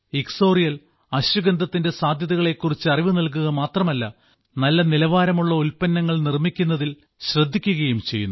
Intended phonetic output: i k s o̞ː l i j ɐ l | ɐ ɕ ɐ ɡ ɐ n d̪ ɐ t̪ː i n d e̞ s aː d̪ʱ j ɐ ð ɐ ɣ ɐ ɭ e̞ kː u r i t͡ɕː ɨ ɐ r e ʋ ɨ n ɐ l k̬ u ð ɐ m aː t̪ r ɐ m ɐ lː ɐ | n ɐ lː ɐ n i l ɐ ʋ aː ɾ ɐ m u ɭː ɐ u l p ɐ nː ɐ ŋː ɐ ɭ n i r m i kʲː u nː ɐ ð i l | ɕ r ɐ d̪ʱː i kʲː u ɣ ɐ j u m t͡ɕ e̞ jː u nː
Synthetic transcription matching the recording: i k s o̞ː r i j ɐ l | ɐ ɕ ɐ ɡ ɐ n d̪ ɐ t̪ː i n d e̞ s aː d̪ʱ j ɐ ð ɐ ɣ ɐ ɭ e̞ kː u r i t͡ɕː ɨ ɐ r i ʋ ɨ n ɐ l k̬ u ɣ ɐ m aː t̪ r ɐ m ɐ lː ɐ | n ɐ lː ɐ n i l ɐ ʋ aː ɾ ɐ m u ɭː ɐ u l p ɐ nː ɐ ŋː ɐ ɭ n i r m i kʲː u nː ɐ ð i l | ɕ r ɐ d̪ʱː i kʲː u ɣ ɐ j u m t͡ɕ e̞ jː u nː